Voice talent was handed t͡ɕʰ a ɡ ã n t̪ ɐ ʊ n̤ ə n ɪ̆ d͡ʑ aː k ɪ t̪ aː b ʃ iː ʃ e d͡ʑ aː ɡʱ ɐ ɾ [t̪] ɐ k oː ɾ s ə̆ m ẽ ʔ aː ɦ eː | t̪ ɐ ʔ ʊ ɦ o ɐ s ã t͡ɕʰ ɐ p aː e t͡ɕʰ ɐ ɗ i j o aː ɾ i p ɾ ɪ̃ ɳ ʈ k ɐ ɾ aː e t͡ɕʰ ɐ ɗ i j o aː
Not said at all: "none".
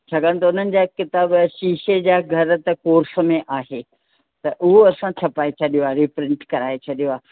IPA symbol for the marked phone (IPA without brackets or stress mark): t̪